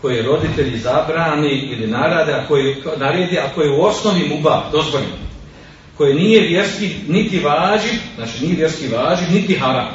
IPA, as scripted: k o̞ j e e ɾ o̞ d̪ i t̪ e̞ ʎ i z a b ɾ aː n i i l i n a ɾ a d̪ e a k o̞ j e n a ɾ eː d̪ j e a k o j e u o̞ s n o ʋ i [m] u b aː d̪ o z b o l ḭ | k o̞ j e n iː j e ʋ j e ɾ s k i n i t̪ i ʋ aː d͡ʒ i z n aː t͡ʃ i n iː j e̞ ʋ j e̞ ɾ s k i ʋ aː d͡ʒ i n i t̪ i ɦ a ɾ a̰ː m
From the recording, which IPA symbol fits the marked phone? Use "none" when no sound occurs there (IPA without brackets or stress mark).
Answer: m